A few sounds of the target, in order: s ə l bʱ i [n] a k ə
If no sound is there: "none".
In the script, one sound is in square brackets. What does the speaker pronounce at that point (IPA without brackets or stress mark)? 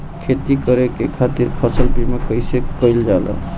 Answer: m